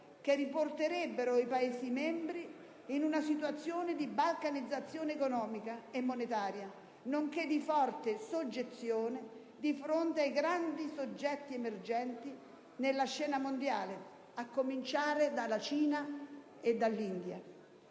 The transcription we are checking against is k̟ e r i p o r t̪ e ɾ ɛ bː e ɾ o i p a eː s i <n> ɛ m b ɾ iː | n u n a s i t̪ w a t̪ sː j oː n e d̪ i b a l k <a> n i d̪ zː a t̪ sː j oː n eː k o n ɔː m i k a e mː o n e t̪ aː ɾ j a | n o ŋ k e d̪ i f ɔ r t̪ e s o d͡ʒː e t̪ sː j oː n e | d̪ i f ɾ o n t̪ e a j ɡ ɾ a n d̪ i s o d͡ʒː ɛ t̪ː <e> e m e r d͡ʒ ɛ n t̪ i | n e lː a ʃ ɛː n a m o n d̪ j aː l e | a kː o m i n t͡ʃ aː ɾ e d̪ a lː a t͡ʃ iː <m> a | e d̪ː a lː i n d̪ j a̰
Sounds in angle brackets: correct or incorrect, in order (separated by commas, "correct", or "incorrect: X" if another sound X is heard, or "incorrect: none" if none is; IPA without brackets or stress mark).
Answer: incorrect: m, correct, incorrect: i, incorrect: n